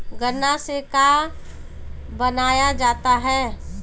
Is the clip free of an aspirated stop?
yes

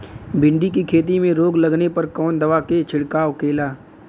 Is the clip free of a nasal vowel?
no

